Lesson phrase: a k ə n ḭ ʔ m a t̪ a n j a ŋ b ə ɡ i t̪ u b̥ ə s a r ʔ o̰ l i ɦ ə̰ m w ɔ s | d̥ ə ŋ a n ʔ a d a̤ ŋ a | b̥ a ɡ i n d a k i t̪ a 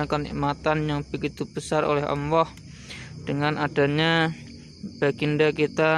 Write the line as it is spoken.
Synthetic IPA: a k ə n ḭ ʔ m a t̪ a n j a ŋ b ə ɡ i t̪ u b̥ ə s a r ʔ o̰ l ɛ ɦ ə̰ m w ɔ h | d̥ ə ŋ a n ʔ a d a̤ ɲ a | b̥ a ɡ i n d a k i t̪ a